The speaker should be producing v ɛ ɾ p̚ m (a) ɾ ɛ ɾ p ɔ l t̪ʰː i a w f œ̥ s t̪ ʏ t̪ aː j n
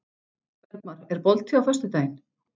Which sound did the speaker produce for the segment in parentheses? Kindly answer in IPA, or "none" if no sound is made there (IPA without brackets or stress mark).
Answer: a